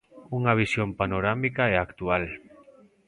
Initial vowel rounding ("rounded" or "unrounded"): rounded